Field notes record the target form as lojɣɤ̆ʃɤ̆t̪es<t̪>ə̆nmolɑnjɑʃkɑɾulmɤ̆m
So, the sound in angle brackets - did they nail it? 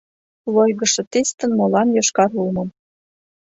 yes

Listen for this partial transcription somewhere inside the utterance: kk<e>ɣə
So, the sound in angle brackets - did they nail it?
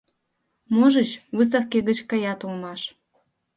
yes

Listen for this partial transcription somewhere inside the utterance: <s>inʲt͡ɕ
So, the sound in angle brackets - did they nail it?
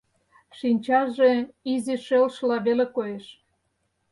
no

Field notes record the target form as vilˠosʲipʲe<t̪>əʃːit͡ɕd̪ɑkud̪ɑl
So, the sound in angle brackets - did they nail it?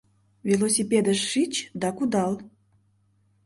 no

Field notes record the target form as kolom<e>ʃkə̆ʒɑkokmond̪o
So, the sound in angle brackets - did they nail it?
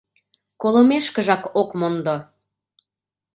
yes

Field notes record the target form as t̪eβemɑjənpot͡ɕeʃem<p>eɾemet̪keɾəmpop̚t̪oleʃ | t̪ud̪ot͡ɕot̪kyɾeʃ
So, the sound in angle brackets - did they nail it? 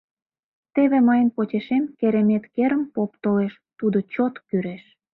no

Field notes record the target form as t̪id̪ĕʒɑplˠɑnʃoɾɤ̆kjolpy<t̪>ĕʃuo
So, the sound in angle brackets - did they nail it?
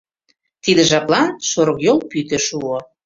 yes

